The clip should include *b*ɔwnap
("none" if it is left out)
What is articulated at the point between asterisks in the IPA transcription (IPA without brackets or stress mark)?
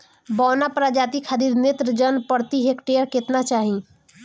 b